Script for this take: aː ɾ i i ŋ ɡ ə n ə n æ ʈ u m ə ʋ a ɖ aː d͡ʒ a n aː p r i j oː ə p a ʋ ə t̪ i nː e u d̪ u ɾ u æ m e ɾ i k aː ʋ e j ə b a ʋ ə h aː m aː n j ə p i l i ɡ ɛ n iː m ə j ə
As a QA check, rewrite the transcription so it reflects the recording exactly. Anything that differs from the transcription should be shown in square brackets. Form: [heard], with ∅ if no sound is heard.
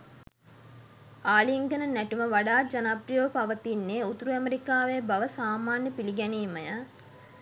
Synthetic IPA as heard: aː [l] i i ŋ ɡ ə n ə n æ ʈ u m ə ʋ a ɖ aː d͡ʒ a n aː p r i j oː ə p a ʋ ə t̪ i nː e u [t̪] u ɾ u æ m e ɾ i k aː ʋ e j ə b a ʋ ə [s] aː m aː n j ə p i l i ɡ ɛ n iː m ə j ə